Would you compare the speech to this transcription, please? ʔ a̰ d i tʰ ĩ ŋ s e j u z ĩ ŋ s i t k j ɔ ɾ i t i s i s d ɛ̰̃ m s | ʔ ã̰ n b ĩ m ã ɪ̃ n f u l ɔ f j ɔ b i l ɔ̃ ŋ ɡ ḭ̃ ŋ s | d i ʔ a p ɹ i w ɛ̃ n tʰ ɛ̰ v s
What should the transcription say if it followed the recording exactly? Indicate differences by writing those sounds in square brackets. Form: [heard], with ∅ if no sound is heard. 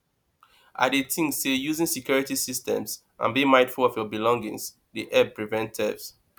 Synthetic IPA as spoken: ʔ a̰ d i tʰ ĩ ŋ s e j u z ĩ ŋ s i [∅] k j ɔ [ɹ] i t i s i s [t] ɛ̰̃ m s | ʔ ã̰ n b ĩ m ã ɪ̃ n f u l ɔ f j ɔ b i l ɔ̃ ŋ ɡ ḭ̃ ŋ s | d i ʔ [ɛ] p ɹ i [v] ɛ̃ n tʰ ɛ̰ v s